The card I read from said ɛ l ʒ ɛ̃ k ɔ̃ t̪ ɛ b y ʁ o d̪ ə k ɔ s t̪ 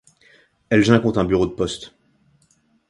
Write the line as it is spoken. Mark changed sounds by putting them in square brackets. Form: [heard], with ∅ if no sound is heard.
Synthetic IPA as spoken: ɛ l ʒ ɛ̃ k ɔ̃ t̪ [ɛ̃] b y ʁ o d̪ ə [p] ɔ s t̪